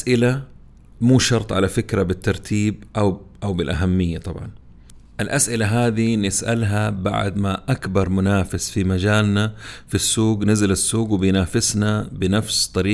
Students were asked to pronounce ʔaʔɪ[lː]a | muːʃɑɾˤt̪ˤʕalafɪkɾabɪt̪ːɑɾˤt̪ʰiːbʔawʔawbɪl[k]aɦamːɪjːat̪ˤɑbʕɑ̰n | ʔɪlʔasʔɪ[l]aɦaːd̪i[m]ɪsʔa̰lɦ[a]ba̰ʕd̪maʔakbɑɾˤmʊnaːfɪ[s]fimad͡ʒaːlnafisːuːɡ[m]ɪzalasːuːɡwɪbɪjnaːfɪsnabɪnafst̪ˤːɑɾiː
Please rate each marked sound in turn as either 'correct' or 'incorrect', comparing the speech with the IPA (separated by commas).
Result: incorrect, incorrect, correct, incorrect, correct, correct, incorrect